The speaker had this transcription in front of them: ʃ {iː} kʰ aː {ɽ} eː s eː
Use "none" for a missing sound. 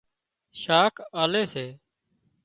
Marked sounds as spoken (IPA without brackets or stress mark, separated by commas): aː, l